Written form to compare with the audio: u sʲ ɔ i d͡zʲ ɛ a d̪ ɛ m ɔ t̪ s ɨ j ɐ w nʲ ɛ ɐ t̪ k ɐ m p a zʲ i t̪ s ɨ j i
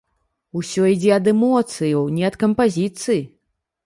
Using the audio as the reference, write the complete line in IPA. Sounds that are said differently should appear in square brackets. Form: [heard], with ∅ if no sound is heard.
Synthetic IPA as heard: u sʲ ɔ i d͡zʲ ɛ [ɐ] d̪ ɛ m ɔ t̪ s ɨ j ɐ w nʲ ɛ ɐ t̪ k ɐ m p a zʲ i t̪ s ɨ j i